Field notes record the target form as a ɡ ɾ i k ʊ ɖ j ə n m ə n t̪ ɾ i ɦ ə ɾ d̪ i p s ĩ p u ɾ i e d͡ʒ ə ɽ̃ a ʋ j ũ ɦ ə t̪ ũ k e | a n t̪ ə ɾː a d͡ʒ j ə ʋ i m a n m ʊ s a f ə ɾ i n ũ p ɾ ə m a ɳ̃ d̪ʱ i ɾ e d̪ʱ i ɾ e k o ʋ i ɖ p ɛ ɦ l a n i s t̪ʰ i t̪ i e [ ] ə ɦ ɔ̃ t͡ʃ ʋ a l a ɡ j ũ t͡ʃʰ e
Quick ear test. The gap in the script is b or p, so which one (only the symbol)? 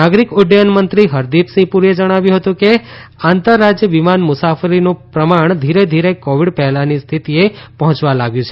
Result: p